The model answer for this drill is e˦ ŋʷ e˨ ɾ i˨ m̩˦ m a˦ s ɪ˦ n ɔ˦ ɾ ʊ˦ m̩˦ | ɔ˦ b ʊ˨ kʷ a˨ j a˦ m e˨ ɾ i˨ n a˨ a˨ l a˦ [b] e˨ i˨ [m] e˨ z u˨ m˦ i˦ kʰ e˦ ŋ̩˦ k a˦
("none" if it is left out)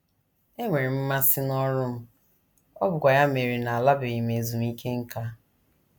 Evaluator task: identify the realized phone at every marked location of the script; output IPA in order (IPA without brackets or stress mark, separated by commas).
b, m